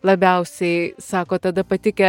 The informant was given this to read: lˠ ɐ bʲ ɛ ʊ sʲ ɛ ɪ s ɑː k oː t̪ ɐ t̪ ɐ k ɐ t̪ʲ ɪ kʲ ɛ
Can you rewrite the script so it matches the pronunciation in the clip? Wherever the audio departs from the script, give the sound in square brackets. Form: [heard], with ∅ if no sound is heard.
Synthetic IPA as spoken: lˠ ɐ bʲ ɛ ʊ sʲ ɛ ɪ s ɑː k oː t̪ ɐ [d̪] ɐ [p] ɐ t̪ʲ ɪ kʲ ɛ